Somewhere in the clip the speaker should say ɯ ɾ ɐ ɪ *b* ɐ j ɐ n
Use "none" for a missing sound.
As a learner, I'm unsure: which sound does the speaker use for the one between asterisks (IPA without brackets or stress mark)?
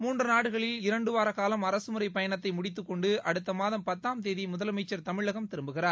p